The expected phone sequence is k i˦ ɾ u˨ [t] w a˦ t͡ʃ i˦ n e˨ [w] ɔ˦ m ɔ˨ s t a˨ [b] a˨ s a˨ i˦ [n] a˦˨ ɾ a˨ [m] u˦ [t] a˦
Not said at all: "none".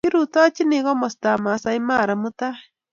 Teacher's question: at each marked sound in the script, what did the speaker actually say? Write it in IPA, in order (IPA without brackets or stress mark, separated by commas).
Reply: t, ɣ, m, m, m, t